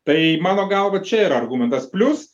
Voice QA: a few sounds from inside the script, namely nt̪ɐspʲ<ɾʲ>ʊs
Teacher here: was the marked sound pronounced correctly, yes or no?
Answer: no